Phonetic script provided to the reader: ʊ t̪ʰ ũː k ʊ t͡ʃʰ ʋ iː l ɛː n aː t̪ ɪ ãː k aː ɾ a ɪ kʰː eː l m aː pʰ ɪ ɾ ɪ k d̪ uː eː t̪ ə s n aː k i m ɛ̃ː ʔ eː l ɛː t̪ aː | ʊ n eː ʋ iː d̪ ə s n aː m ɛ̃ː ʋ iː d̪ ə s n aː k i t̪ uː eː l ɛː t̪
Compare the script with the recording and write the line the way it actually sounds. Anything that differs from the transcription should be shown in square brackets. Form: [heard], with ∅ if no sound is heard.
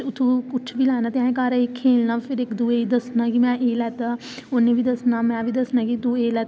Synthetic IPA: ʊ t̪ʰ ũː k ʊ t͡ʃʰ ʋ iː l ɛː n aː t̪ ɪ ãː k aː ɾ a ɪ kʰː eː l [n] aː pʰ ɪ ɾ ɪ k d̪ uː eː [d̪] ə s n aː k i m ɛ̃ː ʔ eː l ɛː t̪ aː | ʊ n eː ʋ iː d̪ ə s n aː m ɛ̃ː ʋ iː d̪ ə s n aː k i t̪ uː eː l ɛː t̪